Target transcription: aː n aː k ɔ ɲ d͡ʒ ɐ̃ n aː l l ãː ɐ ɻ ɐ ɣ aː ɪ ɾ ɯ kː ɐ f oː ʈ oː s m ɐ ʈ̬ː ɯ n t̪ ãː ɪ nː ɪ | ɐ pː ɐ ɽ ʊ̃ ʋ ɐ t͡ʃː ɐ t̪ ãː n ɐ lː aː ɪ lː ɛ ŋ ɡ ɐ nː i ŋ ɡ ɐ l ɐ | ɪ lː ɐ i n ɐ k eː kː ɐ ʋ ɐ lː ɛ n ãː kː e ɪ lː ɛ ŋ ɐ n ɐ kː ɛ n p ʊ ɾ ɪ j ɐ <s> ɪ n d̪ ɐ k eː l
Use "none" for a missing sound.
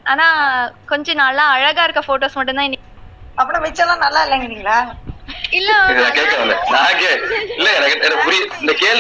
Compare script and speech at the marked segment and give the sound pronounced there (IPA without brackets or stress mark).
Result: none